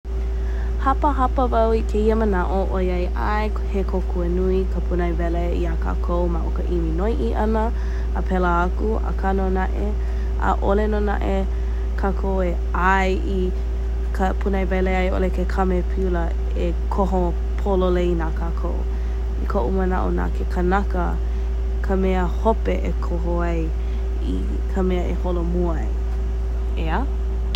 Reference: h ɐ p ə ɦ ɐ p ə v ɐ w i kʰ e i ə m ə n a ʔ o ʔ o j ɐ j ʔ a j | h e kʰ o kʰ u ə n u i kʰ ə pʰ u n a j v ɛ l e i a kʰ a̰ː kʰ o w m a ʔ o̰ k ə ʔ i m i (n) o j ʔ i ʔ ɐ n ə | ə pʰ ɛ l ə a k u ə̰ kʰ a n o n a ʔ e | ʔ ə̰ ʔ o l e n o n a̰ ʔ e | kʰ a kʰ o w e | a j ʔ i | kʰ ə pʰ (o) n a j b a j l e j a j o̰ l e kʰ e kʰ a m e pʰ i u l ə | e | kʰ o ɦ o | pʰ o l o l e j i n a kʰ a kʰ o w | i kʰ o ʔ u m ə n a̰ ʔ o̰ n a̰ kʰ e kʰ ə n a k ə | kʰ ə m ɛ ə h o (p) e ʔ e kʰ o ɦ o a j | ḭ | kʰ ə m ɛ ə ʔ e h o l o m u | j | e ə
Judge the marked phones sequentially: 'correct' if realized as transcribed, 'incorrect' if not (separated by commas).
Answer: correct, incorrect, correct